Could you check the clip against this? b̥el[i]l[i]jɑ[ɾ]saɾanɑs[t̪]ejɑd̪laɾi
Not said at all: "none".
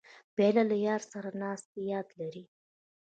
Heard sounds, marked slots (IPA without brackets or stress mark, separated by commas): a, a, ɾ, t̪